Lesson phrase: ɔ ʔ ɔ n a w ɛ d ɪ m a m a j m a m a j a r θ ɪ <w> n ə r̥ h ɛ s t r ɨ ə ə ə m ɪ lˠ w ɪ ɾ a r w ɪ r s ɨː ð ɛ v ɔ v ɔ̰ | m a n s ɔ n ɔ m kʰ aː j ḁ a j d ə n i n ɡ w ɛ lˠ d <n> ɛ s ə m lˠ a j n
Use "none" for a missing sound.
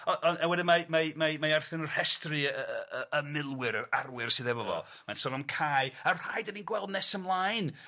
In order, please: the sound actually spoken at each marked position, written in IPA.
none, n

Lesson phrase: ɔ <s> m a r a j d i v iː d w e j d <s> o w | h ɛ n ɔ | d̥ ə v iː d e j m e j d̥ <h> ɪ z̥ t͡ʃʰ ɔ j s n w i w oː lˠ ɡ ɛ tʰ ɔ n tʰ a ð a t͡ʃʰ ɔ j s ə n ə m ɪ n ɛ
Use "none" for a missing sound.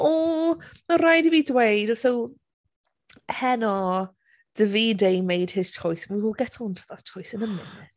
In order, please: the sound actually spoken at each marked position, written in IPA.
none, s, h

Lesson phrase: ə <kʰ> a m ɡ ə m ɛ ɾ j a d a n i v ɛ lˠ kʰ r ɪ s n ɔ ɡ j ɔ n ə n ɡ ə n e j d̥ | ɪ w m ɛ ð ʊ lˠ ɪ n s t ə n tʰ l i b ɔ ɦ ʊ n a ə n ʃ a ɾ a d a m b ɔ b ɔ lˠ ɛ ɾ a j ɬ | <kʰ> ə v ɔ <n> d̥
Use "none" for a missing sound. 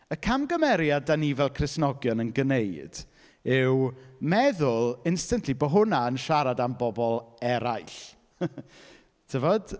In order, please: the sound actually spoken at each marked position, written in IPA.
kʰ, tʰ, none

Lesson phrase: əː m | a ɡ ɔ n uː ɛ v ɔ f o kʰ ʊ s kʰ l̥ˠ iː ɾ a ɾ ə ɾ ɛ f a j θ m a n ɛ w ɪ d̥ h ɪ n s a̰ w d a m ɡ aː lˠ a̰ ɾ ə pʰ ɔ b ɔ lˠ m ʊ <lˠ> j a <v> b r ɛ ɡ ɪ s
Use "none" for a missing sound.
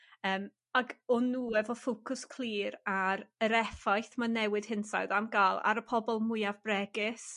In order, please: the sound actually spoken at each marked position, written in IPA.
none, v

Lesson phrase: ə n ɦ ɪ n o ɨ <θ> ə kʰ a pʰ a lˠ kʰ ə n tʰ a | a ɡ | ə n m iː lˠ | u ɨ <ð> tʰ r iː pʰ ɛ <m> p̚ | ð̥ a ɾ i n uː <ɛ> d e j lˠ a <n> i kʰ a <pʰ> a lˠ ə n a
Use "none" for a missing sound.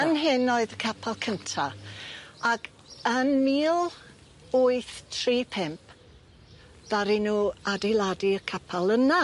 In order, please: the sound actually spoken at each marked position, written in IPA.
ð, θ, m, a, d, pʰ

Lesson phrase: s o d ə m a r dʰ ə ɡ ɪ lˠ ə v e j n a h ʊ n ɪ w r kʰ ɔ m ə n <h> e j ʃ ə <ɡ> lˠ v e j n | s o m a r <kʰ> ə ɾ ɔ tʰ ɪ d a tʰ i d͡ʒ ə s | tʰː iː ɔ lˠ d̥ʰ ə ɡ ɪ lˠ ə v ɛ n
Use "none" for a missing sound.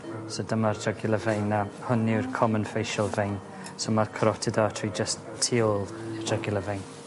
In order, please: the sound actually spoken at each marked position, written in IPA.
f, none, kʰ

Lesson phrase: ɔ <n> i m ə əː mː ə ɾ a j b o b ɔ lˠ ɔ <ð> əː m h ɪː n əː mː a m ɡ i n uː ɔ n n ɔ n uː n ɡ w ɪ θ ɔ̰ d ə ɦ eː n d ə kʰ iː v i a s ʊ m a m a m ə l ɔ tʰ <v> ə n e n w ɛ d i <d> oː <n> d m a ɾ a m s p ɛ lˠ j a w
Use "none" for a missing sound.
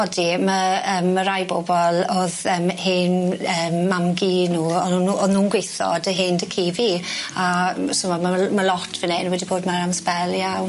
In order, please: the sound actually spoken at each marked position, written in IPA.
d, ð, v, b, none

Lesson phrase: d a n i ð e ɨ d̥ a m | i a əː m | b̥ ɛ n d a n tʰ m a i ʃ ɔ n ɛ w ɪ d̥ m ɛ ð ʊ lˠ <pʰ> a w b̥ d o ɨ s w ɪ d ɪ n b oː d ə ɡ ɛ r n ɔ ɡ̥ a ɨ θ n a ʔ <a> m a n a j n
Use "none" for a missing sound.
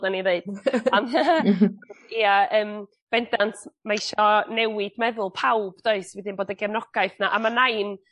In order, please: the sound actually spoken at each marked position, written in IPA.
pʰ, a

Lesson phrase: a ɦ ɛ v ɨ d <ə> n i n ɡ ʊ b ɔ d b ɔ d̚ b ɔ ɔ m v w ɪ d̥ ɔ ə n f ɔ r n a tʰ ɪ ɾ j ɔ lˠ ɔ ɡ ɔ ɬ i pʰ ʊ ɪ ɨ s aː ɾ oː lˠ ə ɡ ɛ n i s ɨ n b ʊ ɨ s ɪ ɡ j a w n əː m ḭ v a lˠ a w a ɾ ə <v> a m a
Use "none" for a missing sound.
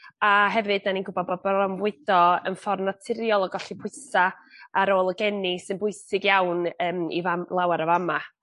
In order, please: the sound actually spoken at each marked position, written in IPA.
a, v

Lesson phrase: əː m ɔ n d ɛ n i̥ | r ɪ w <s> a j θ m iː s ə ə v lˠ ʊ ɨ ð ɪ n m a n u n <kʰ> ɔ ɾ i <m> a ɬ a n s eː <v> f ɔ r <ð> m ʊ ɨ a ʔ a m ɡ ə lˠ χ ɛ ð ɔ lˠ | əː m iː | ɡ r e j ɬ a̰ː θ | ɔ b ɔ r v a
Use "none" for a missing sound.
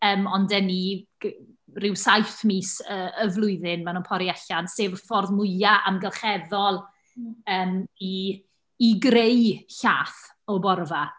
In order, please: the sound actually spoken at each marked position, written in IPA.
s, pʰ, none, v, ð

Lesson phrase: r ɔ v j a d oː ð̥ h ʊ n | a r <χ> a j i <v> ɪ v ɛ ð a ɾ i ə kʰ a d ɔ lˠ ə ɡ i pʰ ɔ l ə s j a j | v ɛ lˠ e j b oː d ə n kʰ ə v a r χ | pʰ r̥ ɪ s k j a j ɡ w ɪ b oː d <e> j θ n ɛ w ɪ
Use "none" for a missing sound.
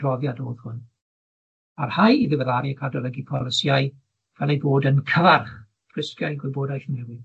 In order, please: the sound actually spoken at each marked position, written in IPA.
h, ð, a

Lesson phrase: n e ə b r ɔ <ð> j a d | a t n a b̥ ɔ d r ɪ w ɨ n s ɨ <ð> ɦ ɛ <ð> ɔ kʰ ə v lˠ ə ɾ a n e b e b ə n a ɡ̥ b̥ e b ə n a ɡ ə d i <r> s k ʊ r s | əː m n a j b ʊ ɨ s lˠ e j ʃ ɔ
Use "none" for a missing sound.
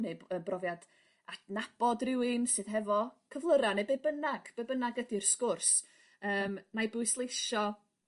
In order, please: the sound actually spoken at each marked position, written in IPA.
v, ð, v, r

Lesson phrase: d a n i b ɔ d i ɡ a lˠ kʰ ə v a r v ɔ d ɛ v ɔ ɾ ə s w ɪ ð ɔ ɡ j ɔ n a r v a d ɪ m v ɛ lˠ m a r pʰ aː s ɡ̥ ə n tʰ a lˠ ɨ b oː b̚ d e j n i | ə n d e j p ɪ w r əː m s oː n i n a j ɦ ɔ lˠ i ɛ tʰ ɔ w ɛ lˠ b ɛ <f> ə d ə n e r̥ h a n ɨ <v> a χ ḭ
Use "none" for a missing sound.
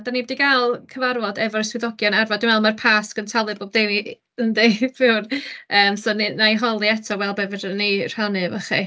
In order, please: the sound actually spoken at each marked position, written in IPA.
v, v

